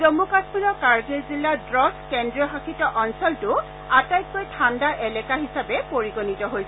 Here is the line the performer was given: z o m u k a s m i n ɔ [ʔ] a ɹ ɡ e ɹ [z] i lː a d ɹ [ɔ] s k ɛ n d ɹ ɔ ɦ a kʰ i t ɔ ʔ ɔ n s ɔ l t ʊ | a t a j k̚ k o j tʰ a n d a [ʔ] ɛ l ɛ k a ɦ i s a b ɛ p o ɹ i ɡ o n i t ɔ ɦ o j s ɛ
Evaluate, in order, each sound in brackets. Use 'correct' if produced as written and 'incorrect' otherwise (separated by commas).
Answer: incorrect, correct, correct, correct